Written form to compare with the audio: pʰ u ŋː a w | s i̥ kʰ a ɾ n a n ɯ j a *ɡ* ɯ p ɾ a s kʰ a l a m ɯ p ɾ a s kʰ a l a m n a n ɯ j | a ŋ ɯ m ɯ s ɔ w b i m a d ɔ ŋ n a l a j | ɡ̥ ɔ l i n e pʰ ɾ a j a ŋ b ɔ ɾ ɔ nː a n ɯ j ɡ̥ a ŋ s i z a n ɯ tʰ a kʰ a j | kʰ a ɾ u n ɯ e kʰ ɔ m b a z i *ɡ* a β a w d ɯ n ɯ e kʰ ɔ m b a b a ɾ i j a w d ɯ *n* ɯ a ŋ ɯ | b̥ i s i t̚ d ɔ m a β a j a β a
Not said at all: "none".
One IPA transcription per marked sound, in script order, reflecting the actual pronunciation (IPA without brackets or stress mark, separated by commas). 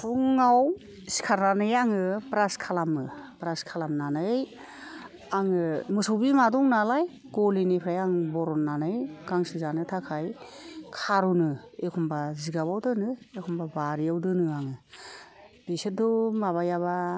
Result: ŋ, ɡ, n